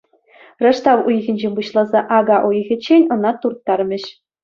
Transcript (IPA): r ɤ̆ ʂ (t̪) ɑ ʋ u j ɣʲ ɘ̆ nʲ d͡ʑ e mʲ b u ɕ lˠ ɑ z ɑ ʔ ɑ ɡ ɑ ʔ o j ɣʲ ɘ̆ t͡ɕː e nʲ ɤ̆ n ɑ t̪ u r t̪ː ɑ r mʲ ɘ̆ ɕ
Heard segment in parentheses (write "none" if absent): t̪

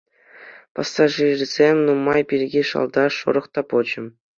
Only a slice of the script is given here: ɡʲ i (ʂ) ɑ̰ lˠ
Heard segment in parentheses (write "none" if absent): ʂ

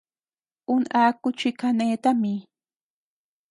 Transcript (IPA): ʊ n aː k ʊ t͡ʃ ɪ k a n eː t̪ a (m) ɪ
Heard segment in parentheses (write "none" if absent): m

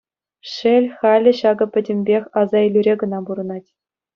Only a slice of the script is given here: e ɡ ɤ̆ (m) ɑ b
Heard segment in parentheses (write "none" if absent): n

